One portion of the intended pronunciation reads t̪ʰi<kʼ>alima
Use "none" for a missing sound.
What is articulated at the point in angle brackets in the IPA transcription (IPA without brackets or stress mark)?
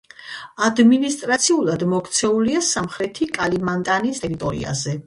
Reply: kʼ